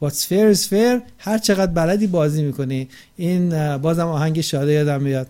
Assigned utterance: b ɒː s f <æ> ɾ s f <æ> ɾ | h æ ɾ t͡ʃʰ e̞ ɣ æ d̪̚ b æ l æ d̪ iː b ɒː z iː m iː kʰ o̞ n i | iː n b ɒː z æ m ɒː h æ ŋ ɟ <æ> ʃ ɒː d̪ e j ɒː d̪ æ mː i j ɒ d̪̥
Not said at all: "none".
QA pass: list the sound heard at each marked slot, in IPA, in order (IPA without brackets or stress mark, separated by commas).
e, e, e